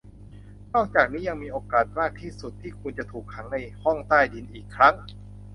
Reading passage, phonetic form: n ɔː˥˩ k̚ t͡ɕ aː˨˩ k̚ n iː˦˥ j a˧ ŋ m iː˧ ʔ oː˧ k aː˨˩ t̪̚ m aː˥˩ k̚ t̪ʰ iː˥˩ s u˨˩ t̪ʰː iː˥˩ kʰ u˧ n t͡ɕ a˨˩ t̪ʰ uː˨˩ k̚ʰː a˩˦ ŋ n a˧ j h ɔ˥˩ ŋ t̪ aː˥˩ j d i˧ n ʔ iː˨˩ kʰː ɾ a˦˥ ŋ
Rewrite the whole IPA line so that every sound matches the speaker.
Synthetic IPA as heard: n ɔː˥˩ k̚ t͡ɕ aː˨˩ k̚ n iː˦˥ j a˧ ŋ m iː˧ ʔ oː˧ k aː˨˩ t̪̚ m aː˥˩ k̚ t̪ʰ iː˥˩ s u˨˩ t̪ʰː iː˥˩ kʰ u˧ n t͡ɕ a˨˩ t̪ʰ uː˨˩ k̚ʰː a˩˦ ŋ n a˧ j h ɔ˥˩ ŋ t̪ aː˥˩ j d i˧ n ʔ iː˨˩ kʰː ɾ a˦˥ ŋ